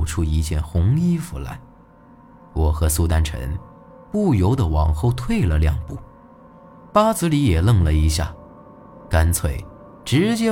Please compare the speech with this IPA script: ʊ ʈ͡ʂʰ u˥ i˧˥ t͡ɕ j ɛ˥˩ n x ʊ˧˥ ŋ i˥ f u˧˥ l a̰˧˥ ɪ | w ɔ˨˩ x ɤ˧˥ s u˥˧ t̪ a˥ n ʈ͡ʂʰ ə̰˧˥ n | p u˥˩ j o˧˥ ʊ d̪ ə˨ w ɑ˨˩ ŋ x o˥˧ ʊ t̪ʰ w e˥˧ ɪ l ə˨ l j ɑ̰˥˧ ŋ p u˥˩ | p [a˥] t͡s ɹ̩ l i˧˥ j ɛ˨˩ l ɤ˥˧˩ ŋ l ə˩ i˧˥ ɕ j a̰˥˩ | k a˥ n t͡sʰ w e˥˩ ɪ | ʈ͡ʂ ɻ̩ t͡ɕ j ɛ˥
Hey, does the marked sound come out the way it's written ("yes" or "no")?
yes